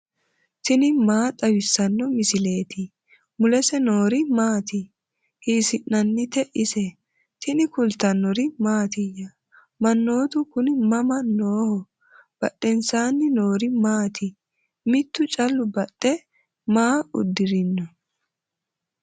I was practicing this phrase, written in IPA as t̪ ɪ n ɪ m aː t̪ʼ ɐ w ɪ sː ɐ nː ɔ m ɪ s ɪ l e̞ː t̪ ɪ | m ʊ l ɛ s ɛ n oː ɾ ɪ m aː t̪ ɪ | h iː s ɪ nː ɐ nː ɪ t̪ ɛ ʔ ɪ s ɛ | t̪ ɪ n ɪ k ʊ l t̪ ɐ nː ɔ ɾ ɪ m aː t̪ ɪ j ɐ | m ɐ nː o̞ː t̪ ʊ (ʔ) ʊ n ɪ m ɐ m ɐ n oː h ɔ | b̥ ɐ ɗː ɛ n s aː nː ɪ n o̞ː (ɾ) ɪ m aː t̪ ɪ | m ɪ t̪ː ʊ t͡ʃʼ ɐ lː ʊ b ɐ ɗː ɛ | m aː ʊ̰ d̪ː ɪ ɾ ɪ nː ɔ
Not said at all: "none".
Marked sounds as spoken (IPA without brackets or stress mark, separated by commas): k, ɾ